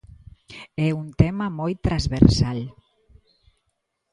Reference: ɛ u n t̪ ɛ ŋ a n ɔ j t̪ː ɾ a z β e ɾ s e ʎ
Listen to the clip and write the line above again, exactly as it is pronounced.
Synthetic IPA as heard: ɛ u n t̪ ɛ m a m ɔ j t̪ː ɾ a z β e ɾ s a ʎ